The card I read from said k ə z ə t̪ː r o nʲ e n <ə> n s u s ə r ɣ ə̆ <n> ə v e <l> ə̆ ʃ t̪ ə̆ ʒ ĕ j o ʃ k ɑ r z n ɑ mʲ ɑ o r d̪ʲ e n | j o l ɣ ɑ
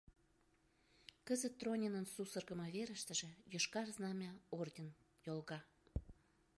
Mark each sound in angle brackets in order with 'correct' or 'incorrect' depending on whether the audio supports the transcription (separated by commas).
correct, incorrect, incorrect